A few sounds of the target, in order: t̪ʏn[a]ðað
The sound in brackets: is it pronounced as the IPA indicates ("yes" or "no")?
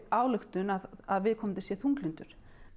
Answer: yes